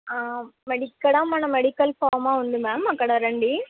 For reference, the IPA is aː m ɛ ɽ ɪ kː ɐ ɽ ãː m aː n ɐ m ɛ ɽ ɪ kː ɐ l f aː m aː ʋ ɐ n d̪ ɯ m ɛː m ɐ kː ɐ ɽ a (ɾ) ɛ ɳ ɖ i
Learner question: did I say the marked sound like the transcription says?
yes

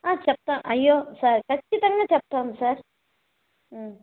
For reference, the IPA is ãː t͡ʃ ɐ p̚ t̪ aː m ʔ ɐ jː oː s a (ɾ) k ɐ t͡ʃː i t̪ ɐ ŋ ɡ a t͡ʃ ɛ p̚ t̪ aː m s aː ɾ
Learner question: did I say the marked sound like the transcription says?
yes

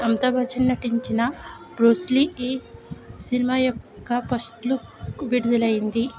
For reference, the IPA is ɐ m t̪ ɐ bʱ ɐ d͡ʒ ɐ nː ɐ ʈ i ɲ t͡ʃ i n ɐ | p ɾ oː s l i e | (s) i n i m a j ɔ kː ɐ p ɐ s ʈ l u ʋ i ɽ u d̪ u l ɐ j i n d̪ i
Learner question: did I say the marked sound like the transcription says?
yes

